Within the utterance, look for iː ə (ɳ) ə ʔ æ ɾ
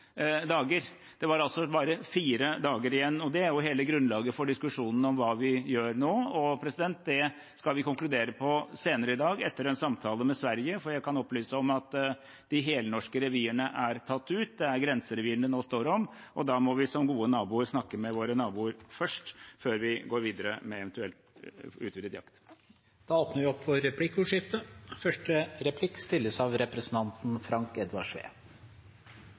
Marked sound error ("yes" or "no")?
no